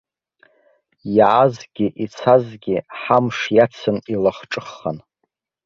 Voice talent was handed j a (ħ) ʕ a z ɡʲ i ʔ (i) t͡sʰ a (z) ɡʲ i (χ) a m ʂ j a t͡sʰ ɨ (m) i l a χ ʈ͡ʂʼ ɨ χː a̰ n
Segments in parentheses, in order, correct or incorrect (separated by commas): incorrect, correct, correct, incorrect, incorrect